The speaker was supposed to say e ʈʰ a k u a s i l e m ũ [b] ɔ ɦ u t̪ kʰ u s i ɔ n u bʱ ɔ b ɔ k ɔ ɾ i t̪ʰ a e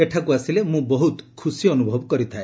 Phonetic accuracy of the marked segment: correct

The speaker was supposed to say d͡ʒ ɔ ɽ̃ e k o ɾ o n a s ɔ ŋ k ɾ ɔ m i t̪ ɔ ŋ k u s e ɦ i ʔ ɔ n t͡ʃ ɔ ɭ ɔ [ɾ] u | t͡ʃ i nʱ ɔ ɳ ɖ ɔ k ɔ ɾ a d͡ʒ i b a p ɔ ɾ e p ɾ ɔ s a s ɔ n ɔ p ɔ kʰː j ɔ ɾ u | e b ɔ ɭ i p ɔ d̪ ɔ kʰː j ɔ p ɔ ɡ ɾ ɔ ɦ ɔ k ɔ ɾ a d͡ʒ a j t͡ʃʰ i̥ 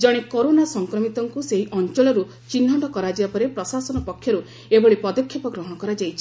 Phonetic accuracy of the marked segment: correct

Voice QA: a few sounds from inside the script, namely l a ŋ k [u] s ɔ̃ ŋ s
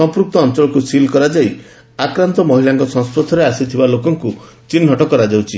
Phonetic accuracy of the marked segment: incorrect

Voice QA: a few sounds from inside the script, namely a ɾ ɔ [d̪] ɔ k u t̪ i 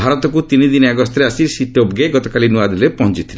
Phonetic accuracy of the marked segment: incorrect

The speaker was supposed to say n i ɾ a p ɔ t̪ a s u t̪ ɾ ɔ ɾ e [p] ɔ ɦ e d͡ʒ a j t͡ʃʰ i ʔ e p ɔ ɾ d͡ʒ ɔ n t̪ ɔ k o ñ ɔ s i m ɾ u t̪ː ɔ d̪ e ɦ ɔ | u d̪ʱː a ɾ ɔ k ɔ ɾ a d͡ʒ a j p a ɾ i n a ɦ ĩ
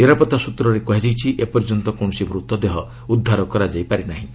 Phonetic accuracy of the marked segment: incorrect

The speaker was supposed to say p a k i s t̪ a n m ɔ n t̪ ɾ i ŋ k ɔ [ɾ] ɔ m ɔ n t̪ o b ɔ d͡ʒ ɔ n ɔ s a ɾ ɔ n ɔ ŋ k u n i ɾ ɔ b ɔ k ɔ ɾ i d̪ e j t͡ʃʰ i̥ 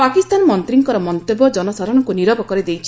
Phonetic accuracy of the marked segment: correct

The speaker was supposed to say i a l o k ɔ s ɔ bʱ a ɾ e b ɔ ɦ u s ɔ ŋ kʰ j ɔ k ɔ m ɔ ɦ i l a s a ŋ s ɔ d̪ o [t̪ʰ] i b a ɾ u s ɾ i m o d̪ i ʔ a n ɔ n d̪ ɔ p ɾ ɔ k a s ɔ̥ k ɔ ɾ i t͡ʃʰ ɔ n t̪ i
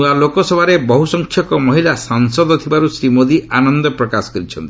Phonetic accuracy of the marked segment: correct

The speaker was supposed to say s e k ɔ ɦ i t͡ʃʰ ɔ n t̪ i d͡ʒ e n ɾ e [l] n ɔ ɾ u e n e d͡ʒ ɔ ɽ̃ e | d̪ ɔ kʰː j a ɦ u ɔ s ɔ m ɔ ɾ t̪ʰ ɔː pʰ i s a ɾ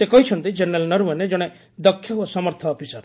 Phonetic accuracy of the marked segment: correct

